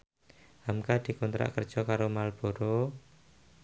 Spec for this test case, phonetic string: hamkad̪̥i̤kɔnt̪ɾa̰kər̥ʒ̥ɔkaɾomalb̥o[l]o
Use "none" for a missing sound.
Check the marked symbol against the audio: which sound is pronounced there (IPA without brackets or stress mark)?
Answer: ɾ